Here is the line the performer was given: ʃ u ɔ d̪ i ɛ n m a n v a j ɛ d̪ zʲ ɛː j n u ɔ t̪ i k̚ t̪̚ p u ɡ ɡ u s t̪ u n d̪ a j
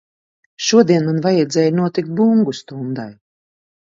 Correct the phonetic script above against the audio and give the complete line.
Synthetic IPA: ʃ u ɔ d̪ i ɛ n m a n v a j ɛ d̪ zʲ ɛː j n u ɔ t̪ i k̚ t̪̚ b u ŋ ɡ u s t̪ u n d̪ a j